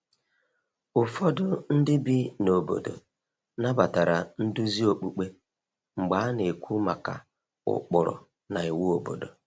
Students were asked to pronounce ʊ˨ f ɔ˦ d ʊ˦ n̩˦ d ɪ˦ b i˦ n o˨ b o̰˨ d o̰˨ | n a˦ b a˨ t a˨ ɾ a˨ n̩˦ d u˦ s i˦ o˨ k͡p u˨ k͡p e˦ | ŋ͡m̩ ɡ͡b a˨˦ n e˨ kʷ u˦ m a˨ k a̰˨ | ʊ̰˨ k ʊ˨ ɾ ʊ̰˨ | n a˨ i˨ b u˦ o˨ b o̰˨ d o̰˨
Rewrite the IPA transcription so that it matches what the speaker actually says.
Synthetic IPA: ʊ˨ f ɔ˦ d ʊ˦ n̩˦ d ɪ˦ b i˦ n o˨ b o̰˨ d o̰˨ | n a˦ b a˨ t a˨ ɾ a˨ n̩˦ d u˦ z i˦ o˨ k͡p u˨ k͡p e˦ | ŋ͡m̩ ɡ͡b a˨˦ n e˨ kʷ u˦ m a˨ k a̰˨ | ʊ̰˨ k͡p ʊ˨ ɾ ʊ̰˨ | n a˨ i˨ w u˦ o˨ b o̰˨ d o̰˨